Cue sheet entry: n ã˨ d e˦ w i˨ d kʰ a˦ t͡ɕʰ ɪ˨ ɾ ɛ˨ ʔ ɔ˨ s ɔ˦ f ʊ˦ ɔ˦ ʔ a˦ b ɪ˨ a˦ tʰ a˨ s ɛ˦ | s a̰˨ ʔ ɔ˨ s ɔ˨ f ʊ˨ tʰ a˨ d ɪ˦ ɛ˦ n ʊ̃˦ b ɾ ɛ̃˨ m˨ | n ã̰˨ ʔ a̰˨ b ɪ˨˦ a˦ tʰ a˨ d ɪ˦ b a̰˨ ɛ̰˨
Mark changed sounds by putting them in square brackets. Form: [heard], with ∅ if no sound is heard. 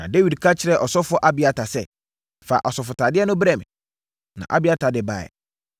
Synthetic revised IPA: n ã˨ d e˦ w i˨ d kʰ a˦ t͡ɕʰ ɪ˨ ɾ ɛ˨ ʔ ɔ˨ s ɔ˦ f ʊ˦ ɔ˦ ʔ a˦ b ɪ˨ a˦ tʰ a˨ s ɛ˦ | [f] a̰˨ ʔ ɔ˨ s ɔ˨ f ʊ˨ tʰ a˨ d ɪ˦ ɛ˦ n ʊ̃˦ b ɾ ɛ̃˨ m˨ | n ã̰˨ ʔ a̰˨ b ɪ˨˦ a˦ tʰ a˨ d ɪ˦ b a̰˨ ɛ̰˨